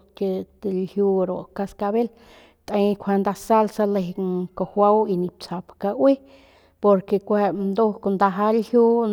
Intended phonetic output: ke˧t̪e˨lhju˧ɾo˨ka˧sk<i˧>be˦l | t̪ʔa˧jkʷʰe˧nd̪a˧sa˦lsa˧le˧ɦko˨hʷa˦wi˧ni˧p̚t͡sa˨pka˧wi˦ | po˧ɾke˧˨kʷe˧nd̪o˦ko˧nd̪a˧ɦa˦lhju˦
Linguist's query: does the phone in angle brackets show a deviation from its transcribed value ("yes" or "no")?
yes